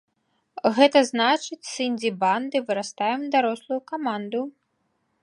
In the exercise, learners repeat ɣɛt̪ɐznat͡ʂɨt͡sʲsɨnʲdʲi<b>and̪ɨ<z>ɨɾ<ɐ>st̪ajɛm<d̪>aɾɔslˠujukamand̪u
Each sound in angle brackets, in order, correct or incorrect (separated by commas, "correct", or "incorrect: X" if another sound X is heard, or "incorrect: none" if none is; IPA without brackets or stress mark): correct, incorrect: v, incorrect: a, correct